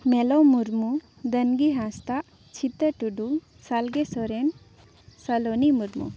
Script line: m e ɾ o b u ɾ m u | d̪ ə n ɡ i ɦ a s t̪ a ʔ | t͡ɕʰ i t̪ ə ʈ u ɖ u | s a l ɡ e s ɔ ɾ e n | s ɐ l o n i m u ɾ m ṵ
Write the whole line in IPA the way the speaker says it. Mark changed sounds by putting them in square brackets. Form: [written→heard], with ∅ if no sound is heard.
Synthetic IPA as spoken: m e [ɾ→l] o [b→m] u ɾ m u | d̪ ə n ɡ i ɦ a s t̪ a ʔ | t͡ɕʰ i t̪ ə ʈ u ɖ u | s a l ɡ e s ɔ ɾ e n | s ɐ l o n i m u ɾ m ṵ